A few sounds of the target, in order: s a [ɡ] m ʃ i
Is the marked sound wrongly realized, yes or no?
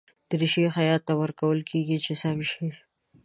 yes